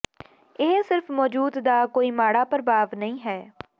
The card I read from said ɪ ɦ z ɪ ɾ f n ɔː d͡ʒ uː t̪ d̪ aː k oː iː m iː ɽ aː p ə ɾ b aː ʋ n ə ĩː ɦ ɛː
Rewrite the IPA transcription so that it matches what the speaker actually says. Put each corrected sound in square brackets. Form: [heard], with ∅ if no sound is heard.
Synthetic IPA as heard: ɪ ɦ [s] ɪ ɾ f [m] ɔː d͡ʒ uː [d̪] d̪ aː k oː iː m [aː] ɽ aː p ə ɾ b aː ʋ n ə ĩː ɦ ɛː